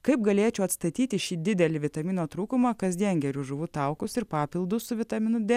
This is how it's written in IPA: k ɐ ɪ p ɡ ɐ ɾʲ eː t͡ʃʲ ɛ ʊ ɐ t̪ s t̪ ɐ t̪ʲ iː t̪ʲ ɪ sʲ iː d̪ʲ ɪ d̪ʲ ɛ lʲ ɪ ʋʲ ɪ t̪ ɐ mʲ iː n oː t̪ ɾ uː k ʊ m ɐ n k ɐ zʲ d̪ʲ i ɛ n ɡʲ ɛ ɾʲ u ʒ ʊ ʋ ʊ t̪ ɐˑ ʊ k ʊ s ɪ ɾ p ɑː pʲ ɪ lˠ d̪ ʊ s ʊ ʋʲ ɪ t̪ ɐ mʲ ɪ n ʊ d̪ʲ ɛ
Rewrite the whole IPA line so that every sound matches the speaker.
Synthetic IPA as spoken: k ɐ ɪ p ɡ ɐ lʲ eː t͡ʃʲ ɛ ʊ ɐ t̪ s t̪ ɐ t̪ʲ iː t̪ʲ ɪ ʃʲ iː d̪ʲ ɪ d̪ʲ ɛ lʲ ɪ ʋʲ ɪ t̪ ɐ mʲ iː n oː t̪ ɾ uː k ʊ m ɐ k ɐ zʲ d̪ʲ i ɛ n ɡʲ ɛ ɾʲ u ʒ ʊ ʋ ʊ t̪ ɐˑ ʊ k ʊ s ɪ ɾ p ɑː pʲ ɪ lˠ d̪ ʊ s ʊ ʋʲ ɪ t̪ ɐ mʲ ɪ n ʊ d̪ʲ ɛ